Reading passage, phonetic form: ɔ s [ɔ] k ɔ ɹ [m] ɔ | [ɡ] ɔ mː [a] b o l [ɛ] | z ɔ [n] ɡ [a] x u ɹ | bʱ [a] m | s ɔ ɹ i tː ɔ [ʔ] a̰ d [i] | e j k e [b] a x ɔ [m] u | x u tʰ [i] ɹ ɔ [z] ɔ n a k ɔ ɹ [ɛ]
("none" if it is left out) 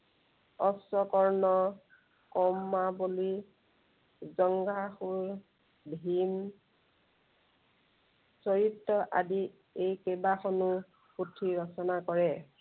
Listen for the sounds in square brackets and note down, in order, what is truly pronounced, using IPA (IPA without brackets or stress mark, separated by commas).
ɔ, n, k, a, i, ŋ, a, i, ʔ, i, b, n, i, s, ɛ